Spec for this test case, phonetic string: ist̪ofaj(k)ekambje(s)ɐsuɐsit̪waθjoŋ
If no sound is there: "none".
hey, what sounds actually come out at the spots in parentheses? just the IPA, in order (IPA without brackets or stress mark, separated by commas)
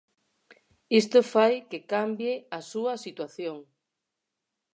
k, none